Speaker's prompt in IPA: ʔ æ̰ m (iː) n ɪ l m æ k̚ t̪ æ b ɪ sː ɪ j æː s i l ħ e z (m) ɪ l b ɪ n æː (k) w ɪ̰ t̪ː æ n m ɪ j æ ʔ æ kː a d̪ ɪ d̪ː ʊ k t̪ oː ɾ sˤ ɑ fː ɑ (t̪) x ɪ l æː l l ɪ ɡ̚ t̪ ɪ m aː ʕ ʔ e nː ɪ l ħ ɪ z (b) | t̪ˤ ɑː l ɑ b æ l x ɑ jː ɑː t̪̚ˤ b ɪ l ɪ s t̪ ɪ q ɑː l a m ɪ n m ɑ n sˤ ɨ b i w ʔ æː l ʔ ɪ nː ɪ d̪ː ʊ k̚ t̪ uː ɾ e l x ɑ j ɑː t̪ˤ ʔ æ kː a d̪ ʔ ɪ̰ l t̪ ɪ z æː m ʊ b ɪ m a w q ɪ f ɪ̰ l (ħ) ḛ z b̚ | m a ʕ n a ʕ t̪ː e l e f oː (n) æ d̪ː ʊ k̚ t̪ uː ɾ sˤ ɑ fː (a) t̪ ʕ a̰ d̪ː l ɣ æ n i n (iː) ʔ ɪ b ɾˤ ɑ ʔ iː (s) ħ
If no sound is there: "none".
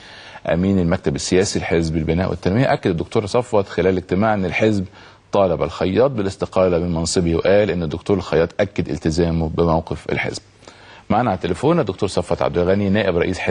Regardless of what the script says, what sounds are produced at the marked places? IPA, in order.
iː, b, ʔ, t̪, b, ħ, n, ɑ, æː, s

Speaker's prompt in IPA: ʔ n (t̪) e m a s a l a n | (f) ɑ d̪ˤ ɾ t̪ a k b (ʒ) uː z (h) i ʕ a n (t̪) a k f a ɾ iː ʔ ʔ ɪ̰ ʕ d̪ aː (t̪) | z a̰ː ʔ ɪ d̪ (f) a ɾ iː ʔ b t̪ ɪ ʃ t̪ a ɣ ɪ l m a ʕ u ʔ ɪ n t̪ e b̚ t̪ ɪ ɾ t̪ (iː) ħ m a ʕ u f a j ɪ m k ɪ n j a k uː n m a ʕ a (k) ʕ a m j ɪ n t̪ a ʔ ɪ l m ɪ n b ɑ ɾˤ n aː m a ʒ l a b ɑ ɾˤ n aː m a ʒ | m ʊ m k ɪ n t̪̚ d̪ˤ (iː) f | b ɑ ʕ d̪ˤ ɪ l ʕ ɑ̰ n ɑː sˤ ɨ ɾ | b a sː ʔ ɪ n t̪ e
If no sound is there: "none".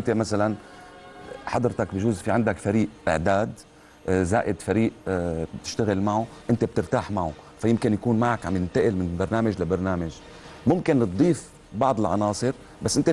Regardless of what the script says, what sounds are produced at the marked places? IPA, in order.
t̪, ħ, ʒ, f, d̪, d̪, f, aː, k, iː

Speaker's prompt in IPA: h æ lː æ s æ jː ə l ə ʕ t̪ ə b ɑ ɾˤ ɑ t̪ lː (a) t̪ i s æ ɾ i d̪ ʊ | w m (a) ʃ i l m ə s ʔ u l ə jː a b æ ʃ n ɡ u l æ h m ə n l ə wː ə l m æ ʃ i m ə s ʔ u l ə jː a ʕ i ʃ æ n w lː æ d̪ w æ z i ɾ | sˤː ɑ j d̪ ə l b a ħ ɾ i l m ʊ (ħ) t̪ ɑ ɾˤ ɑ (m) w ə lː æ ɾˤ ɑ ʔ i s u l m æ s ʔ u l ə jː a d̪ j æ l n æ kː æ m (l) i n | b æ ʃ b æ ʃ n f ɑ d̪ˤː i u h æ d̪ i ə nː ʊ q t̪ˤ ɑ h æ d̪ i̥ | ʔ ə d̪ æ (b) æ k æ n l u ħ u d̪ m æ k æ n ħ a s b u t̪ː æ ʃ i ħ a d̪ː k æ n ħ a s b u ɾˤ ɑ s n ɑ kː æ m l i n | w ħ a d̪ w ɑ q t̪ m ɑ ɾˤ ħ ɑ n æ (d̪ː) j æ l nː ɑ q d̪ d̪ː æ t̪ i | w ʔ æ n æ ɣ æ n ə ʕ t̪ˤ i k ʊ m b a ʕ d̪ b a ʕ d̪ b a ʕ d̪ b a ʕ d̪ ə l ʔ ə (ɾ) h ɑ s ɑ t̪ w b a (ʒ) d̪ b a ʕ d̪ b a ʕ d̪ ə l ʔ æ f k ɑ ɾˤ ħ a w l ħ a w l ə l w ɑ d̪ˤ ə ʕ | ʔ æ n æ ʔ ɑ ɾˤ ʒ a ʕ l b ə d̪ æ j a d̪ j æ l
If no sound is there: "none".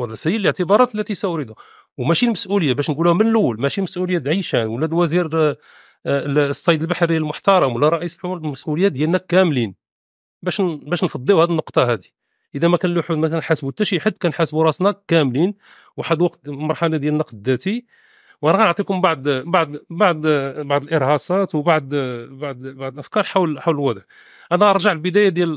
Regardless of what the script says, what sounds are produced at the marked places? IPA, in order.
æ, æ, ħ, m, l, m, d̪, ɾ, ʕ

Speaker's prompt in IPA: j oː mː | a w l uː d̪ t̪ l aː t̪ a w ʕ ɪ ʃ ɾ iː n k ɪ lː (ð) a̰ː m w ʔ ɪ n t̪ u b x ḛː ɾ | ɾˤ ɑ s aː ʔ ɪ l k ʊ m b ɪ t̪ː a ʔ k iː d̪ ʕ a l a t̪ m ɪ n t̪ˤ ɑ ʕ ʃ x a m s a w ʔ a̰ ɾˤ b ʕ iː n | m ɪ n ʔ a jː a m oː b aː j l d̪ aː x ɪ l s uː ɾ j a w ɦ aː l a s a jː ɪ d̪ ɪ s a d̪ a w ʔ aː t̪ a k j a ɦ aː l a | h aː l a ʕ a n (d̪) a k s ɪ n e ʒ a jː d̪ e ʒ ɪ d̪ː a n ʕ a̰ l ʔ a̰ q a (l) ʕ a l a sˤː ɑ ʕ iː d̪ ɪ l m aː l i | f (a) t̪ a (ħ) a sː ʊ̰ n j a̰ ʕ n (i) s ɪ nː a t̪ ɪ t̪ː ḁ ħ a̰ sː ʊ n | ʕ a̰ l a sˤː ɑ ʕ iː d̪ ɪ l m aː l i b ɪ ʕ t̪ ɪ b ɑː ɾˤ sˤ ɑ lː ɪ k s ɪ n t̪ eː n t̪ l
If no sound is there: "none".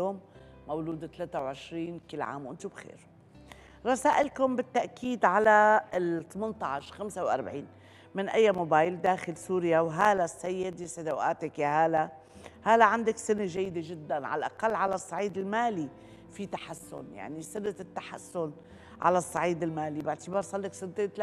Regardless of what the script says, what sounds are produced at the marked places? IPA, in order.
ʕ, d̪, lː, i, ħ, i

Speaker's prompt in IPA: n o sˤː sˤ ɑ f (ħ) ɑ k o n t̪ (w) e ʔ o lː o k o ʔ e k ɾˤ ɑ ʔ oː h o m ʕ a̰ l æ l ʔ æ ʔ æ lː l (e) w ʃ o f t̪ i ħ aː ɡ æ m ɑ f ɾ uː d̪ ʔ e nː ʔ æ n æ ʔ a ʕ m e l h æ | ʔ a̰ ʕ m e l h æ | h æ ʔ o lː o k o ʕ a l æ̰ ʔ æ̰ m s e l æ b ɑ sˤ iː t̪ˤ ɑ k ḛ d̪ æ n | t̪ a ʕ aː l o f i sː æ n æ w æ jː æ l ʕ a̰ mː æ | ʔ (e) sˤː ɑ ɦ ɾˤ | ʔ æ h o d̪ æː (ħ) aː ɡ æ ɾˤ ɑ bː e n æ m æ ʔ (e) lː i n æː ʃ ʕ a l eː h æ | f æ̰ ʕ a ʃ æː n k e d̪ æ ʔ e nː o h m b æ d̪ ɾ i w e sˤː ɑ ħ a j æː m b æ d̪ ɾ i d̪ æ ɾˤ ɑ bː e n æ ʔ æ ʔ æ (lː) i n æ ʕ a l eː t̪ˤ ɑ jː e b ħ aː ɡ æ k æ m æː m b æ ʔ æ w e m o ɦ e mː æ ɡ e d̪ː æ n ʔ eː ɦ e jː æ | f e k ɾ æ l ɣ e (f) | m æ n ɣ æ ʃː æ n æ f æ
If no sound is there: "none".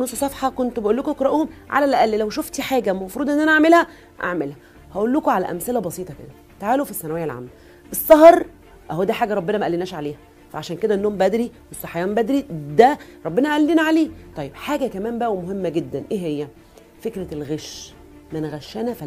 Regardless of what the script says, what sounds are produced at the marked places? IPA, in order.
ħ, b, æ, e, ħ, æ, lː, ʃ

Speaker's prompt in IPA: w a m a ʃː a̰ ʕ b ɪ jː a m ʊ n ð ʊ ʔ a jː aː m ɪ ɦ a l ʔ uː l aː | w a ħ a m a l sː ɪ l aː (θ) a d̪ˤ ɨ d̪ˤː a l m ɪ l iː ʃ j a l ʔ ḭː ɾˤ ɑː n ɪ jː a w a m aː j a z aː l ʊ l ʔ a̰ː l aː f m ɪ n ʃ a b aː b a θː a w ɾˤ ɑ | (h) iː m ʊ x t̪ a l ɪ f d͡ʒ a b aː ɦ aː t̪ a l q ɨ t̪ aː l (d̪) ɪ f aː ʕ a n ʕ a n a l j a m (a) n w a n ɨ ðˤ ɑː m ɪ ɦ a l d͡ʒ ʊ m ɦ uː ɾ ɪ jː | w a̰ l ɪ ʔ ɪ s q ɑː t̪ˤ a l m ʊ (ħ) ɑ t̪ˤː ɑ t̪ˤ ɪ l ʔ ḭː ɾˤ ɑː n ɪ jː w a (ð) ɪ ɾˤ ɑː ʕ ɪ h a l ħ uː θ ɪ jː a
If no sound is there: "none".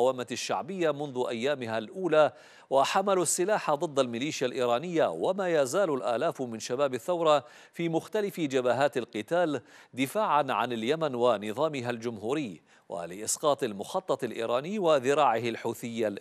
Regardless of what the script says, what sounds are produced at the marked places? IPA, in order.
ħ, f, d̪, a, x, ð

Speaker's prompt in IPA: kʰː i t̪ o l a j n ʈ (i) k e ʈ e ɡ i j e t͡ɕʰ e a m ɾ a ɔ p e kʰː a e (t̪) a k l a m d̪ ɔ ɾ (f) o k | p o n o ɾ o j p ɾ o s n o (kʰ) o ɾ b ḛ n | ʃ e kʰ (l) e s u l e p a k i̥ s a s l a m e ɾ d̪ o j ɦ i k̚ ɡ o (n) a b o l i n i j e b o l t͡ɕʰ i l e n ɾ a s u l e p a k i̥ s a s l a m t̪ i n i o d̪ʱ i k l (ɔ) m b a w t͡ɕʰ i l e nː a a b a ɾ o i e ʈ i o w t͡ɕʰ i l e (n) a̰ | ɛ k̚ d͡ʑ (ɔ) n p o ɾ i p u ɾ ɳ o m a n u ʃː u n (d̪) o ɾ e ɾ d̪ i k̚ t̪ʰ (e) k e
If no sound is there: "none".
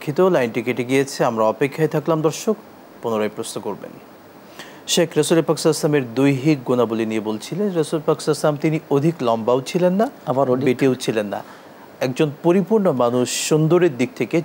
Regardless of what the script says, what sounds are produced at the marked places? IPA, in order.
i, t̪ʰ, ʃ, k, ɾ, n, ɔ, nː, o, d̪, e

